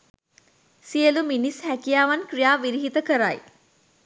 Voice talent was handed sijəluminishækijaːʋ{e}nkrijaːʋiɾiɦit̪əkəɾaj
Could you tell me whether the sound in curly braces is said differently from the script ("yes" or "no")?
yes